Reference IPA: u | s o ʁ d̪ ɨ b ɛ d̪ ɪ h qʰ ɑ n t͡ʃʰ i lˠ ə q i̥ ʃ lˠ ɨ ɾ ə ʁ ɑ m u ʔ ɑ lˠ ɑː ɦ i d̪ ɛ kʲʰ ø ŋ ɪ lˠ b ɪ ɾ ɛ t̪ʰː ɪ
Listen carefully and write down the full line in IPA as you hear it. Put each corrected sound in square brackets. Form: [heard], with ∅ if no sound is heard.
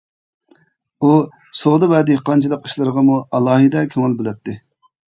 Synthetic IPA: u | s o ʁ d̪ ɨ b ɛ d̪ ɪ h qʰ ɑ n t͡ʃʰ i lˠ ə q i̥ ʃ lˠ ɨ ɾ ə ʁ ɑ m u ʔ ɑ lˠ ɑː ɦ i d̪ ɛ kʲʰ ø ŋ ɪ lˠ b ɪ [l] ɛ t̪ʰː ɪ